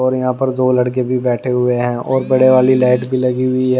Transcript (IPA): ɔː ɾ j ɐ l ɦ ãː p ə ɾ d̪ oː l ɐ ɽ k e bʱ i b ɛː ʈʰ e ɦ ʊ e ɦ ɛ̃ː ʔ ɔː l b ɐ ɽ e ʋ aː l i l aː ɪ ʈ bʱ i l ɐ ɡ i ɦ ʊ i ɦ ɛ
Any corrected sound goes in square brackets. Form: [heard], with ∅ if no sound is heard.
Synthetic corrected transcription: ɔː ɾ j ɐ [∅] ɦ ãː p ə ɾ d̪ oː l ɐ ɽ k e bʱ i b ɛː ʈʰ e ɦ ʊ e ɦ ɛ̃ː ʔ ɔː [ɾ] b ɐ ɽ e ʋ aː l i l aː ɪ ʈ bʱ i l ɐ ɡ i ɦ ʊ i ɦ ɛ